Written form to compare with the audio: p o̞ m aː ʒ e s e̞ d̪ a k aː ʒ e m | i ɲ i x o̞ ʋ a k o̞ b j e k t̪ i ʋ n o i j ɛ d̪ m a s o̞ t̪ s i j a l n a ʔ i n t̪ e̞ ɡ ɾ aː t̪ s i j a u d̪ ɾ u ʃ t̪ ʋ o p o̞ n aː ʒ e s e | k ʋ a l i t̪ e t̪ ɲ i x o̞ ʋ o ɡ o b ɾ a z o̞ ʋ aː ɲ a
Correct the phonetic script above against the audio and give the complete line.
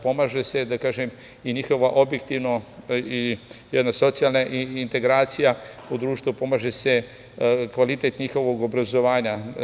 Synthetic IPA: p o̞ m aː ʒ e s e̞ d̪ a k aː ʒ e m | i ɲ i x o̞ ʋ a ʔ o̞ b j e k t̪ i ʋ n o i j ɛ d̪ n a s o̞ t̪ s i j a l n a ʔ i n t̪ e̞ ɡ ɾ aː t̪ s i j a u d̪ ɾ uː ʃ t̪ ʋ u p o̞ m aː ʒ e s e | k ʋ a l i t̪ e t̪ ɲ i x o̞ ʋ o ɡ o b ɾ a z o̞ ʋ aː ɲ a